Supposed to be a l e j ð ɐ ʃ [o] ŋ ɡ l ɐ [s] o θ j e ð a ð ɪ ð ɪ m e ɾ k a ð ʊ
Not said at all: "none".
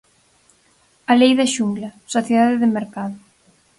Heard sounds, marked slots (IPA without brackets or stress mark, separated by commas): u, s